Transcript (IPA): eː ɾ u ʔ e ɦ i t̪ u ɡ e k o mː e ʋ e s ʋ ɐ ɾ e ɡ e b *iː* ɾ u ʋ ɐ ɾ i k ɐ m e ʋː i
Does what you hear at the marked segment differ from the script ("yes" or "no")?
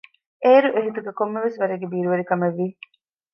no